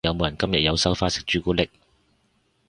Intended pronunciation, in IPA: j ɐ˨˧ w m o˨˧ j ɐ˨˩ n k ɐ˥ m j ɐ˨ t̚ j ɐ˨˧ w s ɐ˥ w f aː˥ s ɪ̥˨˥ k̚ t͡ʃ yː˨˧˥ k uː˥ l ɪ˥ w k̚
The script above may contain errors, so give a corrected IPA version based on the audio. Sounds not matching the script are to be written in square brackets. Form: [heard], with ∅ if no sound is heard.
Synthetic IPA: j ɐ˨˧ w m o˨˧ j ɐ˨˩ n k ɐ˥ m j ɐ˨ t̚ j ɐ˨˧ w s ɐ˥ w f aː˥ s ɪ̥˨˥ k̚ t͡ʃ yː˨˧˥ k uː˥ l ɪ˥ [∅] k̚